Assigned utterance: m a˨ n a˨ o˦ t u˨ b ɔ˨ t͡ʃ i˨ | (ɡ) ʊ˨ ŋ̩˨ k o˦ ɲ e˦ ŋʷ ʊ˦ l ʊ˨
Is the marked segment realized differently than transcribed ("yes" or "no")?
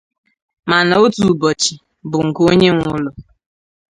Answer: yes